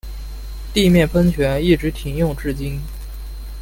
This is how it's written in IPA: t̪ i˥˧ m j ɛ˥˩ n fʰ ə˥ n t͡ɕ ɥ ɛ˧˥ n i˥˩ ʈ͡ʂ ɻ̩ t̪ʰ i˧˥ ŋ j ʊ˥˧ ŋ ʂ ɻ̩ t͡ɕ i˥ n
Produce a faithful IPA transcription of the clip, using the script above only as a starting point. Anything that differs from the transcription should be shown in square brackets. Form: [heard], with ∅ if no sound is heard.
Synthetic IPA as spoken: t̪ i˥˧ m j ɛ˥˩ n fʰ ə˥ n [t͡ɕʰ] ɥ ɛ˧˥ n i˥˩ ʈ͡ʂ ɻ̩ t̪ʰ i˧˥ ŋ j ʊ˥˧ ŋ [ʈ͡ʂ] ɻ̩ t͡ɕ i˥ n